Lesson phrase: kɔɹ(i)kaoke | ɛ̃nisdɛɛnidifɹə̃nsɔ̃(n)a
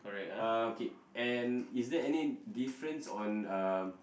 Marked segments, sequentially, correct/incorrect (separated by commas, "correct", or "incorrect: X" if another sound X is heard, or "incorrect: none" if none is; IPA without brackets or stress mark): incorrect: ɛ, correct